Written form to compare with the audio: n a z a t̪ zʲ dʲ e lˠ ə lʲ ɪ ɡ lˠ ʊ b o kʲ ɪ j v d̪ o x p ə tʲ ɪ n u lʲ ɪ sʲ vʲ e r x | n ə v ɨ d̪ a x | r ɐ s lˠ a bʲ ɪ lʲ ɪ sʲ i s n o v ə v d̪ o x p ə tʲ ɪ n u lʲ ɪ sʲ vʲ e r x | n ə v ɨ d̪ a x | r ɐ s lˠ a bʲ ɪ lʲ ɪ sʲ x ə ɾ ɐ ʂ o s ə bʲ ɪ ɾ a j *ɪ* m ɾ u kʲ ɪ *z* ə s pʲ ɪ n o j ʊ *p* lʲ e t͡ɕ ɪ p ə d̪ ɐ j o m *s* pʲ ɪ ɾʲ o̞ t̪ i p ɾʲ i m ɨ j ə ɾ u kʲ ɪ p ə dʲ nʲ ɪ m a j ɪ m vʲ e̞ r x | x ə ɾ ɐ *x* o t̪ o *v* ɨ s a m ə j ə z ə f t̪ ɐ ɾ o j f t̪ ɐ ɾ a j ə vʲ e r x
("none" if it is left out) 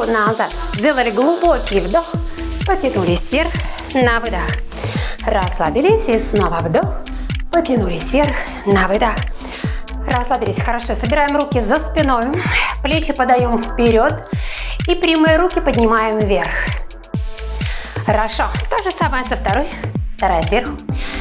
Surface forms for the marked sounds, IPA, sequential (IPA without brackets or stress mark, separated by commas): ɪ, z, p, f, ʂ, ʐ